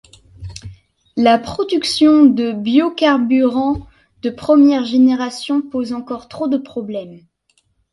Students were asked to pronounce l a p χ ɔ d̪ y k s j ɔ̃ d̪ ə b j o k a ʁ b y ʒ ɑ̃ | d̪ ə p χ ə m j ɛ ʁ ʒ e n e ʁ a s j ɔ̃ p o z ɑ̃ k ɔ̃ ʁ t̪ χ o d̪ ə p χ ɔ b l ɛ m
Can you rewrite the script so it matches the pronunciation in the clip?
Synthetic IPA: l a p χ ɔ d̪ y k s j ɔ̃ d̪ ə b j o k a ʁ b y ʁ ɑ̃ | d̪ ə p χ ə m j ɛ ʁ ʒ e n e ʁ a s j ɔ̃ p o z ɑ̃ k ɔ ʁ t̪ χ o d̪ ə p χ ɔ b l ɛ m